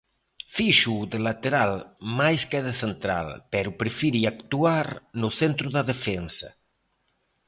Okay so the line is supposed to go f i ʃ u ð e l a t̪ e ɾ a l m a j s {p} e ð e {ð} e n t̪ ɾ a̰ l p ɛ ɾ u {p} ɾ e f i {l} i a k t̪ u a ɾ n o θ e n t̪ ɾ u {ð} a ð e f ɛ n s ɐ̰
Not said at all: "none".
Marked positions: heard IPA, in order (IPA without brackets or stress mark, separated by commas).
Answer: k, θ, p, ɾ, ð